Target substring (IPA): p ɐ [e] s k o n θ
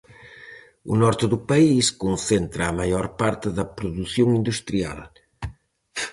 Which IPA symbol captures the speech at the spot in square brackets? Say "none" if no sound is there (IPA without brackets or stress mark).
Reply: i